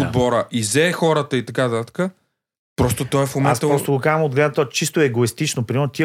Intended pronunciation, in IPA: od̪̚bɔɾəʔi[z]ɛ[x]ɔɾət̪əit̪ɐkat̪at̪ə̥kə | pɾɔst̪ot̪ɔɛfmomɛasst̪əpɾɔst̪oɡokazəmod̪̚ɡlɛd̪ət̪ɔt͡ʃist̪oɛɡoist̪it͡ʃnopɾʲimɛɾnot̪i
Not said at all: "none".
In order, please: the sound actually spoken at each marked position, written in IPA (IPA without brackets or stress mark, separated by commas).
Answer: z, x